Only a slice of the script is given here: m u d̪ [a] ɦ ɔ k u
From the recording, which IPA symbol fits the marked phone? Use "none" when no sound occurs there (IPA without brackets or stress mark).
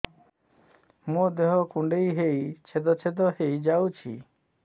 e